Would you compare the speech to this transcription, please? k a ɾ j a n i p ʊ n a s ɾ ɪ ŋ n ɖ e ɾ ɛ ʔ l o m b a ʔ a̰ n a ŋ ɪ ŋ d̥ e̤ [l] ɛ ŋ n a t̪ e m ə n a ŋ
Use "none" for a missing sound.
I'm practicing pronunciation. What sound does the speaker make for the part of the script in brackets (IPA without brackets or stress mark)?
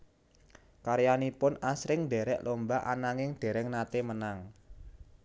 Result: ɾ